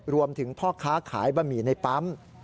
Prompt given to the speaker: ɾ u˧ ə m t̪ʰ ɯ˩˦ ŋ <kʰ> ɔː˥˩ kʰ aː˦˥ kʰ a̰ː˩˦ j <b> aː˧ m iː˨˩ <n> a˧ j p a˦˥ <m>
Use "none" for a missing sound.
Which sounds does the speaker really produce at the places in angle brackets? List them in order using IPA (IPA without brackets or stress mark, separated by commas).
pʰ, b, n, m